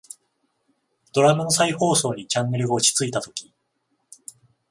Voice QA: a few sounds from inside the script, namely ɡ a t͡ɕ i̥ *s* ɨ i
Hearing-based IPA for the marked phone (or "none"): t͡s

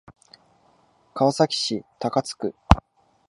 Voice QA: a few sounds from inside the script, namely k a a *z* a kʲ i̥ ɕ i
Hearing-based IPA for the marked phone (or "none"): s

